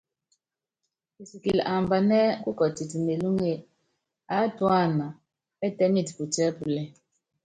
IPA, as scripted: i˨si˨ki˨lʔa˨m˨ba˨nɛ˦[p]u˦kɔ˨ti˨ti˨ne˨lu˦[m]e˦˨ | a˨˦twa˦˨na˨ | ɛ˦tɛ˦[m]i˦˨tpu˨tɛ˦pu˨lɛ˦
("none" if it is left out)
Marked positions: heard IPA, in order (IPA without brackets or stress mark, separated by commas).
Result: k, ŋ, m